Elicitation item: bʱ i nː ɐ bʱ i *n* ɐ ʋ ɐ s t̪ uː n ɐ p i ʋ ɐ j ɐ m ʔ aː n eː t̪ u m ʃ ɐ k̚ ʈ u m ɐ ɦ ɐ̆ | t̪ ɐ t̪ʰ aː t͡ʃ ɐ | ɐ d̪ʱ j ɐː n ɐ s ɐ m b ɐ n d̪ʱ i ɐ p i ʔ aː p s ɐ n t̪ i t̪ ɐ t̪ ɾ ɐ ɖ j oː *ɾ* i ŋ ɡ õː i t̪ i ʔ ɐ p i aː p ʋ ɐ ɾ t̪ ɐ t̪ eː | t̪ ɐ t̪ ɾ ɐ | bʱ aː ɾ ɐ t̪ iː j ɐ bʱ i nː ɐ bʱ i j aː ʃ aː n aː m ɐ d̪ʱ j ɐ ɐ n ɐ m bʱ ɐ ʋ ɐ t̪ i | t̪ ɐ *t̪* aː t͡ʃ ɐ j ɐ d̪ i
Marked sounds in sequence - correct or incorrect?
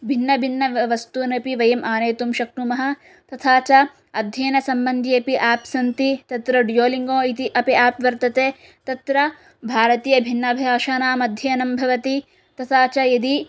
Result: incorrect, incorrect, incorrect

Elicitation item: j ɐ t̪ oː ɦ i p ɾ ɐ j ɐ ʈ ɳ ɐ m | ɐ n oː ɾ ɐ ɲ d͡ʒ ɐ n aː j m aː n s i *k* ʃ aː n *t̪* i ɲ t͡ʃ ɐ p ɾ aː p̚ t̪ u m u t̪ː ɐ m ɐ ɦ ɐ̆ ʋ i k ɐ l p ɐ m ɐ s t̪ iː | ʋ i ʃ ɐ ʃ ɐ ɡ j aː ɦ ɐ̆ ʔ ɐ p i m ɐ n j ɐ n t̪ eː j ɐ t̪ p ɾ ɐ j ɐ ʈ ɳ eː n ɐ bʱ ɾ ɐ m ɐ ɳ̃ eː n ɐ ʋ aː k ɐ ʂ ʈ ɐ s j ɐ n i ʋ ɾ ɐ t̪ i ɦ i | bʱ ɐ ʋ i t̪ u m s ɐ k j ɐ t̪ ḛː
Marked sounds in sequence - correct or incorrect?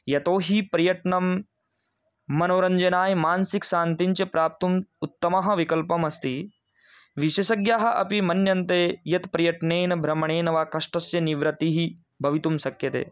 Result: correct, correct

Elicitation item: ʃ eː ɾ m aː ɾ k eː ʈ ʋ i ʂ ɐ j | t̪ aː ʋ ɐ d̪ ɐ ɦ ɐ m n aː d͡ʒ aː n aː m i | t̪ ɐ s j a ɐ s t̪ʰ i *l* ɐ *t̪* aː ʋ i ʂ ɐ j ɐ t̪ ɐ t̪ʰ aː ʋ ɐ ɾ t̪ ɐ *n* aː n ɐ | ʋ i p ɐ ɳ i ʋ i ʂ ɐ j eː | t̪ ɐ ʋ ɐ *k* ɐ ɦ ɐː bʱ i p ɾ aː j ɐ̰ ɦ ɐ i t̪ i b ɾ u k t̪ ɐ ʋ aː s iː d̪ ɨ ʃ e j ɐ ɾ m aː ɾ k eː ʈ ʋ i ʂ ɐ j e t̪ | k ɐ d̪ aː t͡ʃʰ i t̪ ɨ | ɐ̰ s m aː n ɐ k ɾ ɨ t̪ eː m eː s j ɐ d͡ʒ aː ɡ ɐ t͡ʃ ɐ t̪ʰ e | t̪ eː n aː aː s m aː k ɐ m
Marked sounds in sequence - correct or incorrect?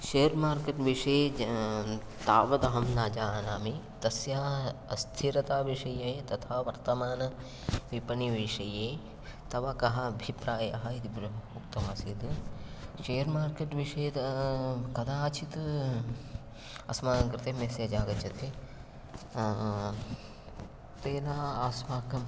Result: incorrect, correct, incorrect, correct

